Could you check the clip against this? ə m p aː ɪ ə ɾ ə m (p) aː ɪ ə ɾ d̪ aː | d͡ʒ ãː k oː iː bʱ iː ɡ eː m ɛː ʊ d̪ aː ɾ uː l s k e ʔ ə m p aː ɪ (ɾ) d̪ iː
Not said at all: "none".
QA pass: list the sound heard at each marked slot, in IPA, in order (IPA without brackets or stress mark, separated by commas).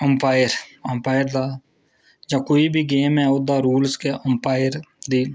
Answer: p, ɾ